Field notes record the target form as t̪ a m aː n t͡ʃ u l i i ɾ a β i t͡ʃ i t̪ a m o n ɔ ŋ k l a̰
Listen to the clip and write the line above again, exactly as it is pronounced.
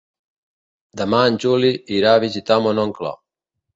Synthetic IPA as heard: d̪ a m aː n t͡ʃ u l i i ɾ a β i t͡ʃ i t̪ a m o n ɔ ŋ k l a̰